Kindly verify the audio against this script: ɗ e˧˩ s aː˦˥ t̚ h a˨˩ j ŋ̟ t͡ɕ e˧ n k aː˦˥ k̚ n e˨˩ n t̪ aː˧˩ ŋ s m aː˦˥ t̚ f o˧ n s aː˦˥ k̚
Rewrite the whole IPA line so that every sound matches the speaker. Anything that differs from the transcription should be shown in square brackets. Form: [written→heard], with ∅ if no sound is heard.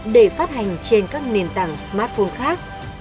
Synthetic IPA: ɗ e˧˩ [s→f] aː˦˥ t̚ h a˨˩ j ŋ̟ t͡ɕ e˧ n k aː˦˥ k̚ n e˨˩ n t̪ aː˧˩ ŋ s m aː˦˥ t̚ f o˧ n [s→x] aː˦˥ k̚